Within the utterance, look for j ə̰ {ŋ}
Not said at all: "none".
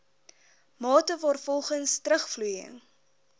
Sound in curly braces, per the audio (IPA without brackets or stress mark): ŋ